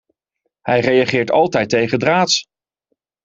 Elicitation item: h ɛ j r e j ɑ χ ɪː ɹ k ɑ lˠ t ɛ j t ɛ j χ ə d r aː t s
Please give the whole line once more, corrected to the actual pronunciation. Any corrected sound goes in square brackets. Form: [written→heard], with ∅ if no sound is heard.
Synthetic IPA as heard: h ɛ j r e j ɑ χ ɪː ɹ [k→t] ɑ lˠ t ɛ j t [ɛ→e] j χ ə d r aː t s